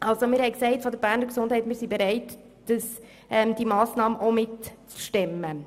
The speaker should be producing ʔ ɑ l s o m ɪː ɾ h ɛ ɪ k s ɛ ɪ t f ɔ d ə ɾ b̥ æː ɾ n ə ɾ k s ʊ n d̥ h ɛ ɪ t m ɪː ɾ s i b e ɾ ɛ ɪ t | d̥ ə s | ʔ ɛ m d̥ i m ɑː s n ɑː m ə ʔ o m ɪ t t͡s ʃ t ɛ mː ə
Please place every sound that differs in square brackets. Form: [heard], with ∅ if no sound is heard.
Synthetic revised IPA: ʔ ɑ l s o m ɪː ɾ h ɛ ɪ k s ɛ ɪ t f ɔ d ə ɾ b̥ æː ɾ n ə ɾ k s ʊ n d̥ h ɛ ɪ t m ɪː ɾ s i b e ɾ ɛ ɪ t | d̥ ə s | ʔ ɛ m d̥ i m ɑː s n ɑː m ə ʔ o m ɪ t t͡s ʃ t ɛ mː ə